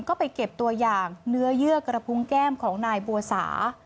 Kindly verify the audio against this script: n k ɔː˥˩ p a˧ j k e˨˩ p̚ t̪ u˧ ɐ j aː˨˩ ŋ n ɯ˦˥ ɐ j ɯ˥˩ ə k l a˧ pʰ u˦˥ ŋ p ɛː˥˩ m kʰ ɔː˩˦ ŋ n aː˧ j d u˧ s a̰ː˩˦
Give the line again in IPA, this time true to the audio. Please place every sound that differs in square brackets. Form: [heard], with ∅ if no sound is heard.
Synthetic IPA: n k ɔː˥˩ p a˧ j k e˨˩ p̚ t̪ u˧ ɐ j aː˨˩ ŋ n ɯ˦˥ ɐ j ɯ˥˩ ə k [ɾ] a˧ pʰ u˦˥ ŋ [k] ɛː˥˩ m kʰ ɔː˩˦ ŋ n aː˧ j [b] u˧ s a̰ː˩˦